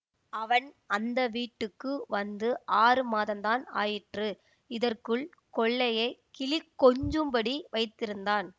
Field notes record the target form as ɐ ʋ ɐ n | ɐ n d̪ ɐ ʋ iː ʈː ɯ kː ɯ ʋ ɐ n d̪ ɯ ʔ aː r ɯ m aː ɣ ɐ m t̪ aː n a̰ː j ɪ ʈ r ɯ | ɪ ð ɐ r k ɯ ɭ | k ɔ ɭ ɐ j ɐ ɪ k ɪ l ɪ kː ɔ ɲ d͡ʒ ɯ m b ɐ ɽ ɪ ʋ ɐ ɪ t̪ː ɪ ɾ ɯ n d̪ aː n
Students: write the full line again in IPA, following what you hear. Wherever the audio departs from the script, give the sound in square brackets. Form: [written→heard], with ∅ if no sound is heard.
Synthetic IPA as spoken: ɐ ʋ ɐ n | ɐ n d̪ ɐ ʋ iː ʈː ɯ kː ɯ ʋ ɐ n d̪ ɯ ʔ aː r ɯ m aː [ɣ→ð] ɐ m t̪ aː n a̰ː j ɪ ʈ r ɯ | ɪ ð ɐ r k ɯ ɭ | k ɔ [ɭ→ɭː] ɐ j ɐ ɪ k ɪ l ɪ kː ɔ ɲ d͡ʒ ɯ m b ɐ ɽ [ɪ→i] ʋ ɐ ɪ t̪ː ɪ ɾ ɯ n d̪ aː n